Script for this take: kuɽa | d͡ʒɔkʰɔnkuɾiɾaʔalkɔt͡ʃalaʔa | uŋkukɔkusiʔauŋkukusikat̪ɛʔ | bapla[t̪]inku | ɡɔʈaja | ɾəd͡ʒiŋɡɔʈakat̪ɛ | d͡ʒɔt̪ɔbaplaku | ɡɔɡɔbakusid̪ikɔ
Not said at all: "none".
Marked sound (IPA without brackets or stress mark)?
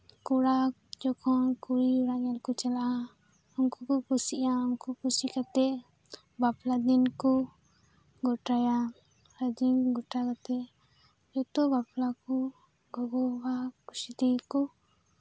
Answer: d̪